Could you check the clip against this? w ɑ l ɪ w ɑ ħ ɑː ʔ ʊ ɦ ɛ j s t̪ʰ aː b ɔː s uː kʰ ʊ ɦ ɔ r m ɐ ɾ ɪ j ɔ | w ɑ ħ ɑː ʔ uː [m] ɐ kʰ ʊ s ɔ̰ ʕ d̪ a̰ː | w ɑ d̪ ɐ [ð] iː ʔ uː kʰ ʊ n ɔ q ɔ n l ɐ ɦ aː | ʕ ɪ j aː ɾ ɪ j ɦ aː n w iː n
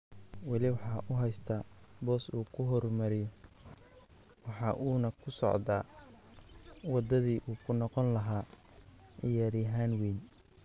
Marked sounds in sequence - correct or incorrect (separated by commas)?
incorrect, correct